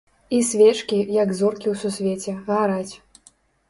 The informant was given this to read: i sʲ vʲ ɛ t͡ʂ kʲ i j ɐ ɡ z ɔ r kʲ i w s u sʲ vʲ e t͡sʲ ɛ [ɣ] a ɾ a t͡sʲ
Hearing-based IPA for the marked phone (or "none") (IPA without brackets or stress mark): ɣ